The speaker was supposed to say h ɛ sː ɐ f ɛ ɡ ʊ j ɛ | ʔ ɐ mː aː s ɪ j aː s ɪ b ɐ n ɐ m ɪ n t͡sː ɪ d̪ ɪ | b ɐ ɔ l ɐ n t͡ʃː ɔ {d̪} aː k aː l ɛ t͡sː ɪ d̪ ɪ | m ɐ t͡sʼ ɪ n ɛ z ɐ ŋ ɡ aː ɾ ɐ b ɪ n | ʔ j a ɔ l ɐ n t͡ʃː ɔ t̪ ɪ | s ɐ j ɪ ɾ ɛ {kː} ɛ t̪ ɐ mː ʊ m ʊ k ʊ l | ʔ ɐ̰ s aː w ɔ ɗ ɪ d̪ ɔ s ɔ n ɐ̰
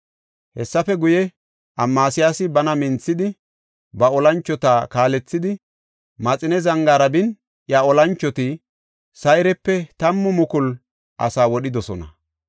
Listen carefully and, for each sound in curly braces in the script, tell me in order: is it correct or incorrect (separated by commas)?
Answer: incorrect, incorrect